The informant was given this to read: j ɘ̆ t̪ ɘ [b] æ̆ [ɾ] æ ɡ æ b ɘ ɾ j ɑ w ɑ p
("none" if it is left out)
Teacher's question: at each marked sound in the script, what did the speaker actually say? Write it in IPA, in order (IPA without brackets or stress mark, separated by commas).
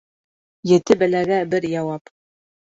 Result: b, l